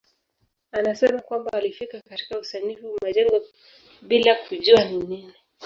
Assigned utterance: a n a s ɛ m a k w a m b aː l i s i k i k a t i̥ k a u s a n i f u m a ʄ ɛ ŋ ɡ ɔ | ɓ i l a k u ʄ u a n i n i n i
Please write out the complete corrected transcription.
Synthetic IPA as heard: a n a s ɛ m a k w a m b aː l i f i k a k a t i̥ k a u s a n i f u m a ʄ ɛ ŋ ɡ ɔ | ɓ i l a k u ʄ u a n i n i n i